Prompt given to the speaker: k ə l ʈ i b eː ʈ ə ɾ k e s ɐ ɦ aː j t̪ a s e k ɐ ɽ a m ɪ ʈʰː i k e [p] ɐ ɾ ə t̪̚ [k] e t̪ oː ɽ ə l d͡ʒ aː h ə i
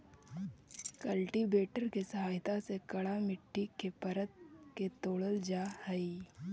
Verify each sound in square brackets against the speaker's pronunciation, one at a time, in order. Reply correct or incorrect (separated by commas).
correct, correct